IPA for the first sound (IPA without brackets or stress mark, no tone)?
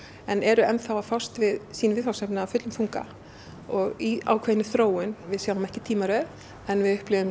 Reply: ɛ